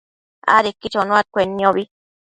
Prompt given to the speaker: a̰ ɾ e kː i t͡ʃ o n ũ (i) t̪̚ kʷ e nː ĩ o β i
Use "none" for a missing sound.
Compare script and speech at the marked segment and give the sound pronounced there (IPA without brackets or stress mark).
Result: a